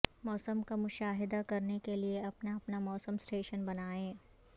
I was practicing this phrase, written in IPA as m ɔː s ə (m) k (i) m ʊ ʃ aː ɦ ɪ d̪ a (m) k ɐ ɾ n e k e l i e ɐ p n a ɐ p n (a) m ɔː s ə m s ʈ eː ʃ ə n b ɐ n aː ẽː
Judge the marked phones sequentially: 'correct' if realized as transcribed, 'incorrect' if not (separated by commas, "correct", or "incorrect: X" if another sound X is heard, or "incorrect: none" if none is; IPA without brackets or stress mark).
correct, incorrect: a, incorrect: none, correct